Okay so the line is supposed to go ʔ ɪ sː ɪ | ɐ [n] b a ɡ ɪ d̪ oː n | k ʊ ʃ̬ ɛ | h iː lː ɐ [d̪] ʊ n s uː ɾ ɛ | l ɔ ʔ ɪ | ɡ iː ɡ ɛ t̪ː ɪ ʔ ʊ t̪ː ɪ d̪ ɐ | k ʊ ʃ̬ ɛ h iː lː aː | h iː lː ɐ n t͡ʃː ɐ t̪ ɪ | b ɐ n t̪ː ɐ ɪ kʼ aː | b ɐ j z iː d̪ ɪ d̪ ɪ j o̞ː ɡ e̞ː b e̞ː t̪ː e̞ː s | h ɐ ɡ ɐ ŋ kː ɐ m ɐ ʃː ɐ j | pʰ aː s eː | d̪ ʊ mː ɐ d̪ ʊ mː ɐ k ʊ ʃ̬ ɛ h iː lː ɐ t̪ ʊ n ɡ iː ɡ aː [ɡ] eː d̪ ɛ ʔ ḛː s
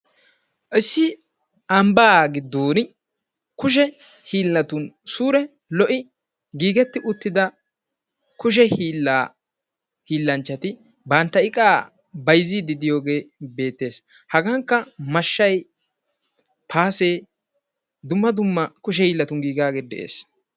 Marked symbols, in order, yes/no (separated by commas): no, no, yes